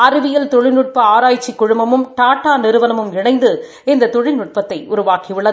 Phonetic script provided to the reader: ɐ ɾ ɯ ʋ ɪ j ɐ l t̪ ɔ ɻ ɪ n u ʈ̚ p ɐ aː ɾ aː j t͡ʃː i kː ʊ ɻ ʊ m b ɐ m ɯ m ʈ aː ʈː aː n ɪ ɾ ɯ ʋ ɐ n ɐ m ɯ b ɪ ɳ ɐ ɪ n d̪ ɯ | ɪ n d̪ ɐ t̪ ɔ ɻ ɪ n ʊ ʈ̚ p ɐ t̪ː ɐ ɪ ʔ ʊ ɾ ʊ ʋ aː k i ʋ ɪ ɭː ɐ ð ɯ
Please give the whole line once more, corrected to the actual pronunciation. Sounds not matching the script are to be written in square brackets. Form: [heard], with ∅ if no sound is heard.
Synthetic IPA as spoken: ɐ ɾ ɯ ʋ ɪ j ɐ l t̪ ɔ ɻ ɪ n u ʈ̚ p ɐ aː ɾ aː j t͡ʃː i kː ʊ ɻ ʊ m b ɐ m ɯ m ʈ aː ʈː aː n ɪ ɾ ɯ ʋ ɐ n ɐ m ɯ [m] ɪ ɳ ɐ ɪ n d̪ ɯ | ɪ n d̪ ɐ t̪ ɔ ɻ ɪ n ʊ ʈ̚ p ɐ t̪ː ɐ ɪ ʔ ʊ ɾ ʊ ʋ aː k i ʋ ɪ ɭː ɐ ð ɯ